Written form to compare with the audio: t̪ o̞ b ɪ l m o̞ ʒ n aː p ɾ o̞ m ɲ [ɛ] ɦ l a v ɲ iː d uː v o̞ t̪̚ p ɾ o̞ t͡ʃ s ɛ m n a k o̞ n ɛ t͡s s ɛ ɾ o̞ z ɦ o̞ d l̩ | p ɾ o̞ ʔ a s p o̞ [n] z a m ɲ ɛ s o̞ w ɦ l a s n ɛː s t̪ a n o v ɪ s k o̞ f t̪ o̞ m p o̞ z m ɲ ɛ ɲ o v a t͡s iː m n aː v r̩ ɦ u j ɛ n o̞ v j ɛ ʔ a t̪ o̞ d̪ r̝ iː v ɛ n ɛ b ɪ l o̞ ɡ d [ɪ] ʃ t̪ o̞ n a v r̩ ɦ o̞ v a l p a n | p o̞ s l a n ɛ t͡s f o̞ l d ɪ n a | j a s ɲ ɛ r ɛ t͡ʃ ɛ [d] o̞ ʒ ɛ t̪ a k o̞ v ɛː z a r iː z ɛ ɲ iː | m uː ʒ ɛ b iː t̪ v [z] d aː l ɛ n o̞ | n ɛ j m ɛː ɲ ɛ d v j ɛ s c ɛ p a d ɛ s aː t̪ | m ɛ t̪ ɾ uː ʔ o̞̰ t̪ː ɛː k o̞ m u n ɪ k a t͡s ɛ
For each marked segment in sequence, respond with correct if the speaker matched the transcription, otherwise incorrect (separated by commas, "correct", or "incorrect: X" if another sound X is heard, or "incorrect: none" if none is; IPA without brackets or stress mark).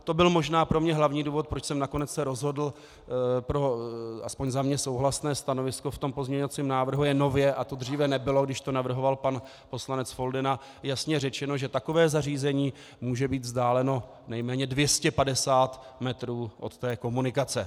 correct, incorrect: ɲ, correct, incorrect: n, correct